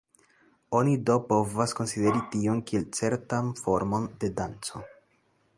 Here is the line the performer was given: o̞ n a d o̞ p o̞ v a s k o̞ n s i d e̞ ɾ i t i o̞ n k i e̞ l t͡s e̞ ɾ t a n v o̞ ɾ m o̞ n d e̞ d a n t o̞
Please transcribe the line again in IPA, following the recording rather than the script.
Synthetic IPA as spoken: o̞ n i d o̞ p o̞ v a s k o̞ n s i d e̞ ɾ i t i o̞ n k i e̞ l t͡s e̞ ɾ t a n f o̞ ɾ m o̞ n d e̞ d a n t͡s o̞